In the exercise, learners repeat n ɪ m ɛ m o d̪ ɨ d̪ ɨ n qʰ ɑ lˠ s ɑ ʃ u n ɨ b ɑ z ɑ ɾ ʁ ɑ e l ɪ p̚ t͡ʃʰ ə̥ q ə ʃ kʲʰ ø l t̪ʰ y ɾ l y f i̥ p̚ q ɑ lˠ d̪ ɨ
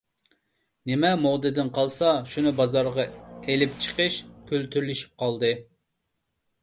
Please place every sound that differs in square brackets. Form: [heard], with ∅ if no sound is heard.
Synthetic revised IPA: n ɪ m ɛ m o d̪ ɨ d̪ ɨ n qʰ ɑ lˠ s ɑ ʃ u n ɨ b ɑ z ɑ ɾ ʁ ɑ e l ɪ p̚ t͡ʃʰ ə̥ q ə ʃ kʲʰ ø l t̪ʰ y ɾ l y [ʃ] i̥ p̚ q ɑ lˠ d̪ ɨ